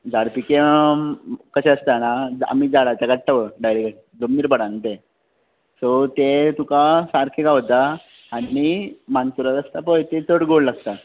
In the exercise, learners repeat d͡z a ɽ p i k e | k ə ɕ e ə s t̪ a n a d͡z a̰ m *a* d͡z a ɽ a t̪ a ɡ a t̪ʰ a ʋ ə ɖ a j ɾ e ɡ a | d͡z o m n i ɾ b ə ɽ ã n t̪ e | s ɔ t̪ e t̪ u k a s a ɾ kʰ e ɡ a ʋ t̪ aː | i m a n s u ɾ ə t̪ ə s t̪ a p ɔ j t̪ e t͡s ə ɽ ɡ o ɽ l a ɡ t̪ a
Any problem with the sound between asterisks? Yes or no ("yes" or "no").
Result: yes